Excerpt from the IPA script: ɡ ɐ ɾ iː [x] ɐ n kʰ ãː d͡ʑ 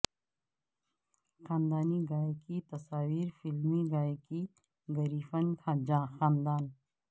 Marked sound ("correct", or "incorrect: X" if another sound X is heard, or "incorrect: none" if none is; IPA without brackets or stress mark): incorrect: f